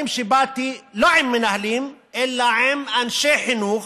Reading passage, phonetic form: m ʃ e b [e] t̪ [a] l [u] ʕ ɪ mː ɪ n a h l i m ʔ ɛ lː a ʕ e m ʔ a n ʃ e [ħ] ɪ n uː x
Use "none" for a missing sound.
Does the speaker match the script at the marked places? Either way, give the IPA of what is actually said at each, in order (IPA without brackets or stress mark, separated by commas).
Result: a, i, o, ħ